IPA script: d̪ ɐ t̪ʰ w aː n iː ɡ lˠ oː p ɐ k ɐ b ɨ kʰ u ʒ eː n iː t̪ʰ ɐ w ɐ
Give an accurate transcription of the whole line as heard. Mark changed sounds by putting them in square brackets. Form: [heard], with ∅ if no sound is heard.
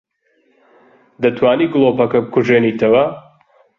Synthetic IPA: d̪ ɐ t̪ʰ w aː n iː ɡ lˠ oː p ɐ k ɐ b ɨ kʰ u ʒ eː n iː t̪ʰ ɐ w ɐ